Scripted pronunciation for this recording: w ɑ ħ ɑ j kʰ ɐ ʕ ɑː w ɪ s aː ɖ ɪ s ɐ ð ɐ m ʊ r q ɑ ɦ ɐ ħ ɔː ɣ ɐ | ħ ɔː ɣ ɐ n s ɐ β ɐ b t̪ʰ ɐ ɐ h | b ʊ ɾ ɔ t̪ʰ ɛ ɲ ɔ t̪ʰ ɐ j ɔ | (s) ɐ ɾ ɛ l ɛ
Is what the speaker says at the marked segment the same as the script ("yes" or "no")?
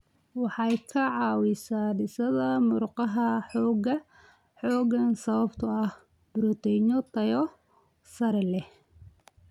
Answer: yes